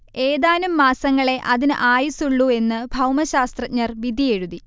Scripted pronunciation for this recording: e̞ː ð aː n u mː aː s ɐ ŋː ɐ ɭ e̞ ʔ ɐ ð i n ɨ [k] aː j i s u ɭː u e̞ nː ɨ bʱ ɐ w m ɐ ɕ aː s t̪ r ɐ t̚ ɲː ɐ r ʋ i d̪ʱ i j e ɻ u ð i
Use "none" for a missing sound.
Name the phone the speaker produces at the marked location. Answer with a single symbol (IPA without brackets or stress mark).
ʔ